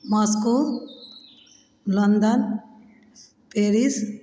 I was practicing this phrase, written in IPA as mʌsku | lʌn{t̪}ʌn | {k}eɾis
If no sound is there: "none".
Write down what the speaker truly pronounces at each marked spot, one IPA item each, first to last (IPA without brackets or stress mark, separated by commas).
d̪, p